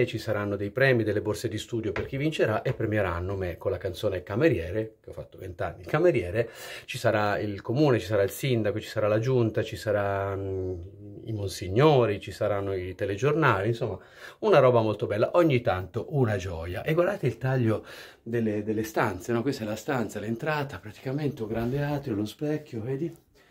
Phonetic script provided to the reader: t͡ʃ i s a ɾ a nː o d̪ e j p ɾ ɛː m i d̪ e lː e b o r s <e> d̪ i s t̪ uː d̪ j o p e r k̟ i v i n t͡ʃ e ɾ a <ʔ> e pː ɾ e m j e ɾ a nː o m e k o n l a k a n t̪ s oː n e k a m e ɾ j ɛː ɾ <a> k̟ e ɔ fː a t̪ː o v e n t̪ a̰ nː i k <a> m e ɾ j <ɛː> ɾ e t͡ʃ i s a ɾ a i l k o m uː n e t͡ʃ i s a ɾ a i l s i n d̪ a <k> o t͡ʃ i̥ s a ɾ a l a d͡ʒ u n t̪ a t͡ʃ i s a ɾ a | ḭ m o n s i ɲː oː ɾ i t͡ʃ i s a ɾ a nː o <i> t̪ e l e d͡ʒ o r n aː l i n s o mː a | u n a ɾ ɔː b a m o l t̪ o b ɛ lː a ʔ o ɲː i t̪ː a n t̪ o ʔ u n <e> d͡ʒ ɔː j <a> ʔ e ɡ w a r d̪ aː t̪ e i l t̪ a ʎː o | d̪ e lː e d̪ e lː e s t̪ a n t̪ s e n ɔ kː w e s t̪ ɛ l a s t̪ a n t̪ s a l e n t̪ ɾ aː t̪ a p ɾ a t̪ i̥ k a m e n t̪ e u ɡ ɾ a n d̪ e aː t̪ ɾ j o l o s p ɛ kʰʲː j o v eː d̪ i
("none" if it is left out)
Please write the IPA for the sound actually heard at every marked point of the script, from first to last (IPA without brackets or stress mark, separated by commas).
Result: e, ʔ, e, a, ɛː, k, i, a, a